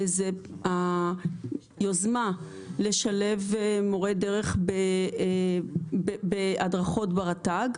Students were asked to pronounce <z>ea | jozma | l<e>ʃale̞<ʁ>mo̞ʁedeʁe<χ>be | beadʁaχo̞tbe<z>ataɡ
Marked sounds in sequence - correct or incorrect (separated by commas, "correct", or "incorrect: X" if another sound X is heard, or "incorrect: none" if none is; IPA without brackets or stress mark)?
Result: correct, correct, incorrect: v, correct, incorrect: ʁ